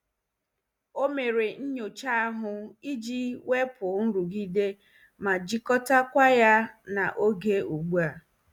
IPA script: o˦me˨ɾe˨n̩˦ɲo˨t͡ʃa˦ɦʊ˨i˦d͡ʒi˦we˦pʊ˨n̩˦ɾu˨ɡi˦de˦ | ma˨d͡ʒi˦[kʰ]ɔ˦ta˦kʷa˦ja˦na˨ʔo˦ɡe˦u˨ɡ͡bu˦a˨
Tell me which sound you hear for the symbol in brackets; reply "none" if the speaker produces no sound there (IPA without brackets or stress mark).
k